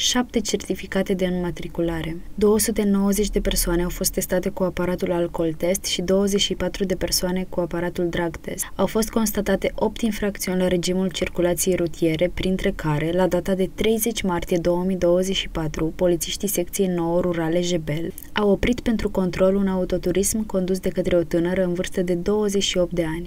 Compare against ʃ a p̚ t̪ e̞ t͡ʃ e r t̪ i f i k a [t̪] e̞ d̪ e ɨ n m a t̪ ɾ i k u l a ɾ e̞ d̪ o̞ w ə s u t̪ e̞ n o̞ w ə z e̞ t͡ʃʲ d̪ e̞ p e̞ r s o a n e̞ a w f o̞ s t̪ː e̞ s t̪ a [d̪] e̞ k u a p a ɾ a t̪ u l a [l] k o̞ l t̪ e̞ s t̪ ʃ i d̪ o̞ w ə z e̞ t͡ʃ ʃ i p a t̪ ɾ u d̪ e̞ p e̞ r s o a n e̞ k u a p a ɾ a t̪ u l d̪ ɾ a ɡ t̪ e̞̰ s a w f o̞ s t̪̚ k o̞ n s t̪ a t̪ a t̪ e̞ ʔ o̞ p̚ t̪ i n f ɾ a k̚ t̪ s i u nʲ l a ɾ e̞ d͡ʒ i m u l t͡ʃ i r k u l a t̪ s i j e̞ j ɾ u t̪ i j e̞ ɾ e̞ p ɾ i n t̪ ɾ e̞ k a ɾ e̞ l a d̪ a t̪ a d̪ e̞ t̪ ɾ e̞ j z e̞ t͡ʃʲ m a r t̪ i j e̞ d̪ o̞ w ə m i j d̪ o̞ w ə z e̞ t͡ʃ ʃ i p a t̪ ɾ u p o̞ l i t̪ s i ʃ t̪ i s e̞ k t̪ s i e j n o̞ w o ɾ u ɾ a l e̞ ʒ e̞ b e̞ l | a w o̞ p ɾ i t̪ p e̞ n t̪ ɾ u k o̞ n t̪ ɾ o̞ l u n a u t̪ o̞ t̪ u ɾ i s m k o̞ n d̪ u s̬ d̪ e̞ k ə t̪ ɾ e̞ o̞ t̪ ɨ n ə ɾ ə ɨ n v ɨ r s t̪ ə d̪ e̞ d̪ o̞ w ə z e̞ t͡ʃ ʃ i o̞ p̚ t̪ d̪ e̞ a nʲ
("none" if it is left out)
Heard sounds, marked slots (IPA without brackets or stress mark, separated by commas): t̪, t̪, l